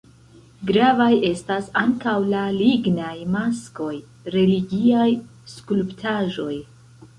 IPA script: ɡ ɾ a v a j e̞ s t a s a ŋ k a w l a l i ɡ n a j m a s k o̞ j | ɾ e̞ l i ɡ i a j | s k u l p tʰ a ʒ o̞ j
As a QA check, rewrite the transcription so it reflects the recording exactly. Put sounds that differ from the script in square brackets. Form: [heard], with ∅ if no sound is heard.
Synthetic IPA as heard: ɡ ɾ a v a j e̞ s t a s a ŋ k a w l a l i ɡ n a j m a s k o̞ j | ɾ e̞ l i ɡ i a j | s k u l p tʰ a ʒ o̞ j